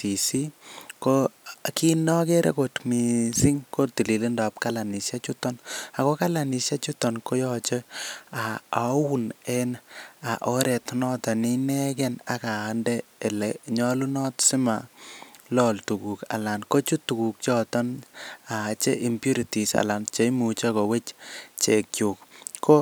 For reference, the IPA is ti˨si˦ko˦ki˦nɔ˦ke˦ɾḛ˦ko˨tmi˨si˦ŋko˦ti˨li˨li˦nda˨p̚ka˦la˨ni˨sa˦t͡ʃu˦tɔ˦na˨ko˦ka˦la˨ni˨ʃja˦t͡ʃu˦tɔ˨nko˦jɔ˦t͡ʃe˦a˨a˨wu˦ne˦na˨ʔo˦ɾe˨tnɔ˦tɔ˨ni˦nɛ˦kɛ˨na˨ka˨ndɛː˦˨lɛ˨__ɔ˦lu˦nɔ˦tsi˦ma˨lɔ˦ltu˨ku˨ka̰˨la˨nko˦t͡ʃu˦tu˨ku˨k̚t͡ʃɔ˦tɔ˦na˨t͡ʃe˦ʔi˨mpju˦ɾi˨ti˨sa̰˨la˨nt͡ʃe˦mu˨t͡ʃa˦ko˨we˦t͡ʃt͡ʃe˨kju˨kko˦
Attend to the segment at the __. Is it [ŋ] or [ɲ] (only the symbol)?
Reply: ɲ